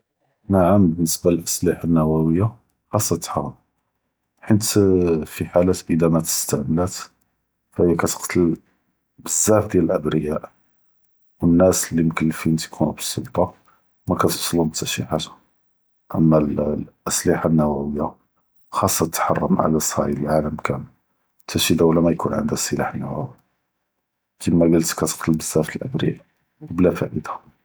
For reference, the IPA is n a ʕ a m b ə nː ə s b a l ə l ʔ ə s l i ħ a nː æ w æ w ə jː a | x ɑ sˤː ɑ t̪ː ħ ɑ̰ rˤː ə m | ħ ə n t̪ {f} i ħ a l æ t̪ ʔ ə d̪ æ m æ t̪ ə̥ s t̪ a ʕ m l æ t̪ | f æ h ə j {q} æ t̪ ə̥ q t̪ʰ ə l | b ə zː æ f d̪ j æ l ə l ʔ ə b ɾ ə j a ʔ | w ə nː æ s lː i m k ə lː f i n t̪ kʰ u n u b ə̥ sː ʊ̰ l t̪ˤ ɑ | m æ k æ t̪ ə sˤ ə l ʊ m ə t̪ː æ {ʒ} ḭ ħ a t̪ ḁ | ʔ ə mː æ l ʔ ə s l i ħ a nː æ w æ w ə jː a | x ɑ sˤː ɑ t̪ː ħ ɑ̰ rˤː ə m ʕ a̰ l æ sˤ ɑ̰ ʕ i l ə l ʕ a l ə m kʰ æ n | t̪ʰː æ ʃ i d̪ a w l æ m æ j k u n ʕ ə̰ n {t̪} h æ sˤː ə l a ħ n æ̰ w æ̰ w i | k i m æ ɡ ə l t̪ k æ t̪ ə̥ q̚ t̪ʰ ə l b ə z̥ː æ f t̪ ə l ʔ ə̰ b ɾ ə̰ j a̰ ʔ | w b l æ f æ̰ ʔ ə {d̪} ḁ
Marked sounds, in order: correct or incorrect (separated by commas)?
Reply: correct, incorrect, incorrect, incorrect, correct